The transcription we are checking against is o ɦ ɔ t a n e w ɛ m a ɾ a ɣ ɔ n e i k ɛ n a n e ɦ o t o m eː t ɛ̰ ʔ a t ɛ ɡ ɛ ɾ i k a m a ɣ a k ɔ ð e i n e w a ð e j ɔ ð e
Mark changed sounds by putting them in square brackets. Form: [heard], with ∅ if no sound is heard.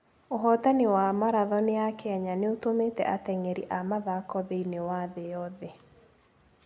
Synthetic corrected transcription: o ɦ ɔ t a n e w [a] m a ɾ a [ð] ɔ n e [a] k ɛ [ɲ] a n e [∅] o t o m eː t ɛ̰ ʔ a t ɛ [ŋ] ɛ ɾ i [ʔ] a m a [ð] a k ɔ ð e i n e w a ð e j ɔ ð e